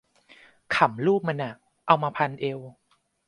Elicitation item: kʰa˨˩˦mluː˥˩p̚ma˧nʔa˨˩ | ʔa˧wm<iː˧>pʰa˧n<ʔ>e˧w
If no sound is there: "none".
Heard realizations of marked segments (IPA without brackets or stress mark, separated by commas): aː˧, ʔ